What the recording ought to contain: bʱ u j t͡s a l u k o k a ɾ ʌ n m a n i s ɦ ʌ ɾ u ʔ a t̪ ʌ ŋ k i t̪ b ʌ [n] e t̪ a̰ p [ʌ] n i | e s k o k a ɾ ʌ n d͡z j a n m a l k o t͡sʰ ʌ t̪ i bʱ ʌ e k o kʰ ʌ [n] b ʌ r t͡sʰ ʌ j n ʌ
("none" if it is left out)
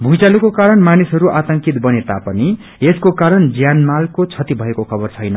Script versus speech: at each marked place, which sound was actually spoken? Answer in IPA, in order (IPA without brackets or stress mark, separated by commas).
n, ʌ, none